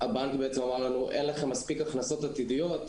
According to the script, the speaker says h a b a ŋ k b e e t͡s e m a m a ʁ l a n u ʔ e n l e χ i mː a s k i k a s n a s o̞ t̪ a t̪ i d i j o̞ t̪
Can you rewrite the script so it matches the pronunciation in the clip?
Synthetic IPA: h a b a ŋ k b e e t͡s e m a m a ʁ l a n u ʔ e n l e χ e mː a s p i k a χ n a s o̞ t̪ a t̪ i d i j o̞ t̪